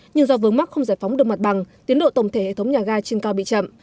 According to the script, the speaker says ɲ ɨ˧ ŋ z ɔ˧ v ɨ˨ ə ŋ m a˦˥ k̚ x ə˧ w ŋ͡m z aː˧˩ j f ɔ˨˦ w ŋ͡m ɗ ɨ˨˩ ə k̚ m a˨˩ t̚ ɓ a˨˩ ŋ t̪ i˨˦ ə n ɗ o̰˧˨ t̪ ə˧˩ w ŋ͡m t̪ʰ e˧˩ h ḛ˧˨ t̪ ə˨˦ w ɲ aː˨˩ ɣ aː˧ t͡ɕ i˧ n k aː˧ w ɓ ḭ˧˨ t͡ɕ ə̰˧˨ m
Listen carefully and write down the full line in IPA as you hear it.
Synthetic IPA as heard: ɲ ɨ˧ ŋ z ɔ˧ v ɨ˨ ə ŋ m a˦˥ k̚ x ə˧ w ŋ͡m z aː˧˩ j f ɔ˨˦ w ŋ͡m ɗ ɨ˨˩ ə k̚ m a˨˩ t̚ ɓ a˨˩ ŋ t̪ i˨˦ ə n ɗ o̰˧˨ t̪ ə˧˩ w ŋ͡m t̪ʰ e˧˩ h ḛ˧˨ t̪ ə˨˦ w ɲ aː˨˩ ɣ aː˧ t͡ɕ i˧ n k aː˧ w ɓ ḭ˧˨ t͡ɕ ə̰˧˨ m